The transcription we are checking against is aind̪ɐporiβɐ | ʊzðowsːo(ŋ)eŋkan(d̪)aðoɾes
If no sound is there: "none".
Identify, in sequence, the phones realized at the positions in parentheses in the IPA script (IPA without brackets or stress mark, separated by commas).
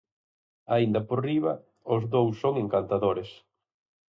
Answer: ŋ, t̪